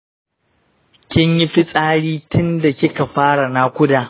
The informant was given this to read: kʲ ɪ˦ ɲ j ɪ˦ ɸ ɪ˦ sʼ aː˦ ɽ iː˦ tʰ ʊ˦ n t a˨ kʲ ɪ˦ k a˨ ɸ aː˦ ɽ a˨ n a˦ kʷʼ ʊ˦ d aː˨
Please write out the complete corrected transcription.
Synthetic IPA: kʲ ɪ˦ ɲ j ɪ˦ ɸ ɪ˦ sʼ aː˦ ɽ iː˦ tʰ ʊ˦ n d a˨ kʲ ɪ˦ k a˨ ɸ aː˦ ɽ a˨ n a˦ kʷ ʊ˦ d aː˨